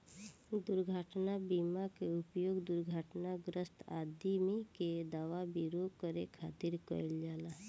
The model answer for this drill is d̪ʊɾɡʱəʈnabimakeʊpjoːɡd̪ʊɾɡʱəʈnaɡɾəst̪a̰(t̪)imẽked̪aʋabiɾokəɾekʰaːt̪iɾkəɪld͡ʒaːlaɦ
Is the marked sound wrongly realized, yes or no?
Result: yes